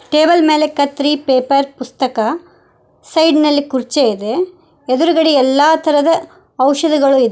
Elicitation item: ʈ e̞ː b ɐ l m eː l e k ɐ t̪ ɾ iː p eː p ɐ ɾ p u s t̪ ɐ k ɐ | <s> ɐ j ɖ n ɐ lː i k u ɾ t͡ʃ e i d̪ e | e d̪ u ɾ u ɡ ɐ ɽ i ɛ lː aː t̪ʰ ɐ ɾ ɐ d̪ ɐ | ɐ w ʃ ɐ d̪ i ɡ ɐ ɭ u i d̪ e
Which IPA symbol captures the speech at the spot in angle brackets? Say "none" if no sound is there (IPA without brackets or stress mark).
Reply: s